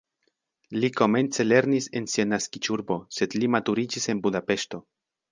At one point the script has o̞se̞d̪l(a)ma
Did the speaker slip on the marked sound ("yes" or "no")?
yes